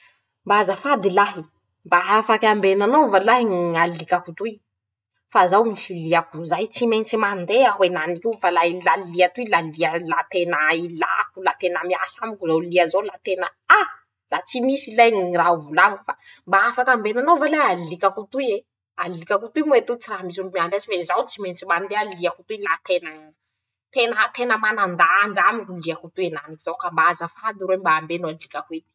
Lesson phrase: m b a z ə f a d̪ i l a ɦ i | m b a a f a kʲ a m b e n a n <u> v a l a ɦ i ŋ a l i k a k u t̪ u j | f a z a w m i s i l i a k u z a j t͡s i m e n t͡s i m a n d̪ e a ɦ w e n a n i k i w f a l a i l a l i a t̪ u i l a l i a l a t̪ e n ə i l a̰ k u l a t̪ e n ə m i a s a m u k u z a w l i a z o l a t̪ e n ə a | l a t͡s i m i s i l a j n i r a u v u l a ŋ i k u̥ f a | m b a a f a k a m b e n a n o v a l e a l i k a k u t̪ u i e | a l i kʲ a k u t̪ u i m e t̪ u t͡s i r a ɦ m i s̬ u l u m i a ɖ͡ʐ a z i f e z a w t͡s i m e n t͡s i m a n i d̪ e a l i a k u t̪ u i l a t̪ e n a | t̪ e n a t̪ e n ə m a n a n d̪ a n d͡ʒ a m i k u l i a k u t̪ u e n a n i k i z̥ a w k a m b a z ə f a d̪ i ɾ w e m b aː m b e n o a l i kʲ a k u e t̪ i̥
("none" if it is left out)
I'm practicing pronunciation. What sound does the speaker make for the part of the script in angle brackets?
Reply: o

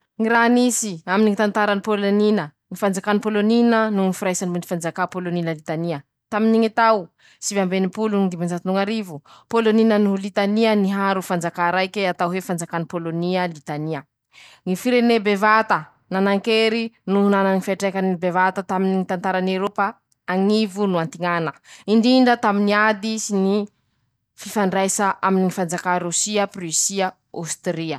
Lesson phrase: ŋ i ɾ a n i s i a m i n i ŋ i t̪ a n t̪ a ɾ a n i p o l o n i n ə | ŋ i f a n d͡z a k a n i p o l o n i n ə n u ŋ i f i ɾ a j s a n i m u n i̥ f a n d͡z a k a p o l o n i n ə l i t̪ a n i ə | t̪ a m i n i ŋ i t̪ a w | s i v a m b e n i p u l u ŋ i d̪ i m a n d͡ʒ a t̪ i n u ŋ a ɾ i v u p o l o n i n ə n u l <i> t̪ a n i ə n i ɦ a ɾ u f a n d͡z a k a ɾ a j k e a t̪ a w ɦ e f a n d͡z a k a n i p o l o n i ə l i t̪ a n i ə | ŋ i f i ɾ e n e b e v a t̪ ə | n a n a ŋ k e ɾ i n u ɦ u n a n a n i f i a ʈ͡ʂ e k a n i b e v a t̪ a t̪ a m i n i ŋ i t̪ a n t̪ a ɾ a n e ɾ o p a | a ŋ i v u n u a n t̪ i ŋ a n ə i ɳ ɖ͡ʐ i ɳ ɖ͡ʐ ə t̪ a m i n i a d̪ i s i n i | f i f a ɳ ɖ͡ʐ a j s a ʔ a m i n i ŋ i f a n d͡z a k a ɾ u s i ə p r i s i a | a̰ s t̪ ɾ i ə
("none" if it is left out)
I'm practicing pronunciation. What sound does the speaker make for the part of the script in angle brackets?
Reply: i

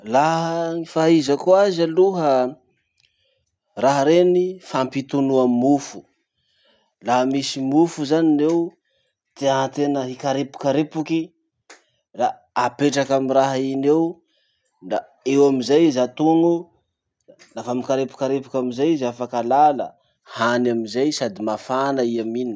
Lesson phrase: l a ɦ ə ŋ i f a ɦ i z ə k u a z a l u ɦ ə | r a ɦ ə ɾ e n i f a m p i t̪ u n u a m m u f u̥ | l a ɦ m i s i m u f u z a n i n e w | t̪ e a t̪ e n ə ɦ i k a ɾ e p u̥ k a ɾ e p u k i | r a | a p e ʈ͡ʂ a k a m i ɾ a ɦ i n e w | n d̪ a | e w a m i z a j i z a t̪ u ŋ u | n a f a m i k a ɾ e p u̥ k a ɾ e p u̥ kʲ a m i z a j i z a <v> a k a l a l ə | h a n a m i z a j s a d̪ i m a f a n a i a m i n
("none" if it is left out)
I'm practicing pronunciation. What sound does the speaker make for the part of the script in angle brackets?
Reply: f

